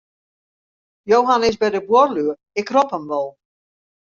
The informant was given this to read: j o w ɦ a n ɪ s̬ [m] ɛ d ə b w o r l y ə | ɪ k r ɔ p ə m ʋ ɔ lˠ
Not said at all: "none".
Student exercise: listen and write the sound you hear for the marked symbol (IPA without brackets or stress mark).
b